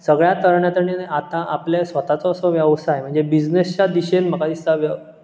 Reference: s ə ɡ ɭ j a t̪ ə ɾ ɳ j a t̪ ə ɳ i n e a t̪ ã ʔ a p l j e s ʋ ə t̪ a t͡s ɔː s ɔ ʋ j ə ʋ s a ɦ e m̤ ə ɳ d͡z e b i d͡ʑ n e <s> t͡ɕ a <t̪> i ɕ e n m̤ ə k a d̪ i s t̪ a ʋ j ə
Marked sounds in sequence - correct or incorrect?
correct, incorrect

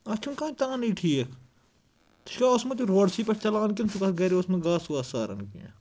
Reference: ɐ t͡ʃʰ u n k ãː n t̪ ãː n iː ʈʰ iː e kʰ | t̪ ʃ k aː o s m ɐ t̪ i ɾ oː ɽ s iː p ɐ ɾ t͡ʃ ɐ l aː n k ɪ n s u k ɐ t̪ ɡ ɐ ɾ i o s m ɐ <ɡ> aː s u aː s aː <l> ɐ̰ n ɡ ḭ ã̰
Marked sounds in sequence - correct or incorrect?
correct, incorrect

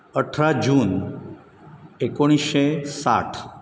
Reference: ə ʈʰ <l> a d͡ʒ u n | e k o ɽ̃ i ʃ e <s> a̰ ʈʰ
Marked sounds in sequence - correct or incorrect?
incorrect, correct

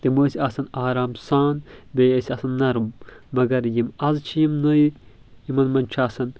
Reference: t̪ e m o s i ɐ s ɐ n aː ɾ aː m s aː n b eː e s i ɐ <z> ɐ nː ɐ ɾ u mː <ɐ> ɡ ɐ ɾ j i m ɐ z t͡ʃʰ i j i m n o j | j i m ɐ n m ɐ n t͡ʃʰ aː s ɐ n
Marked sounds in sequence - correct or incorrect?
incorrect, correct

